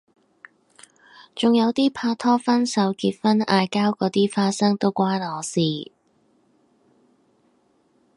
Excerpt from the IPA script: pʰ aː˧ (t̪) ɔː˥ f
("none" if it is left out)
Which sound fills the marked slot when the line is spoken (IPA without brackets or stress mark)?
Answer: t̪ʰ